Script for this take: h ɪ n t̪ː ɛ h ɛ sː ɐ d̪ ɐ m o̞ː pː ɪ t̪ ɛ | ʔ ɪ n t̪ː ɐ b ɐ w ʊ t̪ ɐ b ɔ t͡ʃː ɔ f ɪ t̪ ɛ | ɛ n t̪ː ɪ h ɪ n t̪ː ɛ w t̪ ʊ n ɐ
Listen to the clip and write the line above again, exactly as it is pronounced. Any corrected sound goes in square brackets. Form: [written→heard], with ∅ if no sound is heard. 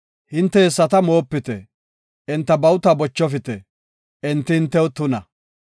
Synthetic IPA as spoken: h ɪ n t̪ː ɛ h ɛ sː ɐ [d̪→t̪] ɐ m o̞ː pː ɪ t̪ ɛ | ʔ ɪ n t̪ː ɐ b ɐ w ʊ t̪ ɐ b ɔ t͡ʃː ɔ f ɪ t̪ ɛ | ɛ n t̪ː ɪ h ɪ n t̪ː ɛ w t̪ ʊ n ɐ